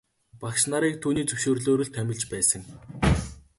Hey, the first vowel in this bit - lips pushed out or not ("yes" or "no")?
no